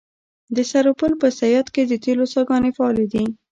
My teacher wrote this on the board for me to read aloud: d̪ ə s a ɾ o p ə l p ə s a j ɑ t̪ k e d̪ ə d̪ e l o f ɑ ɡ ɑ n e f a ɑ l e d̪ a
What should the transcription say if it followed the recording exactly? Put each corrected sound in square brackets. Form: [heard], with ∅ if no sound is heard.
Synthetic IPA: d̪ ə s a ɾ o p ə l p ə s a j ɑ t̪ k e d̪ ə [t̪] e l o [s] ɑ ɡ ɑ n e f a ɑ l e d̪ [i]